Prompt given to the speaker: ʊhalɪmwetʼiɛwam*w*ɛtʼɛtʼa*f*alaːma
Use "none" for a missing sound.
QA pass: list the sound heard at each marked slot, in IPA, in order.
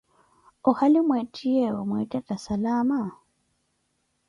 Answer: w, s

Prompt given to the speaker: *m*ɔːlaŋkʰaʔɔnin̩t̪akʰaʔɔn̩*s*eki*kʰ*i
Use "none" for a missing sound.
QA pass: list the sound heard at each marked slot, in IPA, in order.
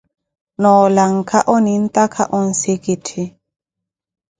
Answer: n, s, tʰ

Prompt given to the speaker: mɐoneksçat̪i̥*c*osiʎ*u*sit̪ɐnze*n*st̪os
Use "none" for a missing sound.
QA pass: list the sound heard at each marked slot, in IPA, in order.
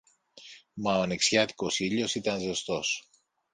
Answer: k, o, none

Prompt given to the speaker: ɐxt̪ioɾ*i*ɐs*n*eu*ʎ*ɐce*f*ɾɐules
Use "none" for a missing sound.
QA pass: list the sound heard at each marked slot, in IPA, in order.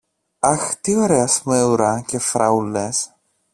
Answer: e, m, ɾ, f

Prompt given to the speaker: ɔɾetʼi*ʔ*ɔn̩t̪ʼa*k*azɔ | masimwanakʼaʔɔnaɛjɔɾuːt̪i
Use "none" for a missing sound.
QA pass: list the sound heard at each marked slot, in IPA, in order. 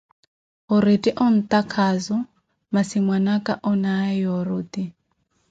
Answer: ʔ, kʰ

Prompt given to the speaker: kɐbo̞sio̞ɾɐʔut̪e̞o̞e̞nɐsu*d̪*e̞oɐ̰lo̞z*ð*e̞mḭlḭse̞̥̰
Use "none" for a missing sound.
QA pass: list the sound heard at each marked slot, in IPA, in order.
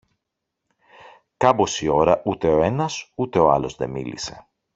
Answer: t̪, ð

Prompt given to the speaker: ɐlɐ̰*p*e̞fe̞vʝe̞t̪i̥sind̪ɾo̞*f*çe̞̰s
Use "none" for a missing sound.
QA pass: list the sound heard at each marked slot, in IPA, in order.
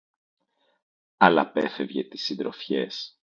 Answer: p, f

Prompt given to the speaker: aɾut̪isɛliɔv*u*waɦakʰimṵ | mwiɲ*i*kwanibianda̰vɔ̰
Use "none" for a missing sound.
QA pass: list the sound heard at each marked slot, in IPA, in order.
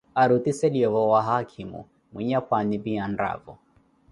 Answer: ɔ, a

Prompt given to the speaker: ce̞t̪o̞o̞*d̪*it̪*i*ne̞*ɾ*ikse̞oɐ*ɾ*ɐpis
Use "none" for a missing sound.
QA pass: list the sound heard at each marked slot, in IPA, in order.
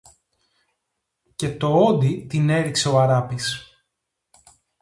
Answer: d̪, i, ɾ, ɾ

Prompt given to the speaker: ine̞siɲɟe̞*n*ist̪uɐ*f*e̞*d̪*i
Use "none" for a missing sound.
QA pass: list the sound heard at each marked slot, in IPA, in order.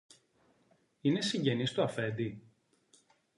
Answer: n, f, d̪

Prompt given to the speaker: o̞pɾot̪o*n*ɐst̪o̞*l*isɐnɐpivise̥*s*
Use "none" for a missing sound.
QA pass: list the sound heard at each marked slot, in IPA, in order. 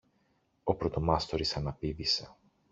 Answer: m, ɾ, none

